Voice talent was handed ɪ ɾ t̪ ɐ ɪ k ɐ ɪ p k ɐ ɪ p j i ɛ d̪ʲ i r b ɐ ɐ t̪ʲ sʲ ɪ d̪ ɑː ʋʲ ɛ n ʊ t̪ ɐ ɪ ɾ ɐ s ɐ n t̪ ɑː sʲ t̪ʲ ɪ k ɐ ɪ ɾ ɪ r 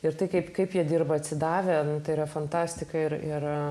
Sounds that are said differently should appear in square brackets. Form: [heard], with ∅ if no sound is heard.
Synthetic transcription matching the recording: ɪ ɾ t̪ ɐ ɪ k ɐ ɪ p k ɐ ɪ p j i ɛ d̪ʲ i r b ɐ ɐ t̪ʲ sʲ ɪ d̪ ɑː ʋʲ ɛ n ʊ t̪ ɐ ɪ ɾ ɐ [f] ɐ n t̪ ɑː sʲ t̪ʲ ɪ k ɐ ɪ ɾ ɪ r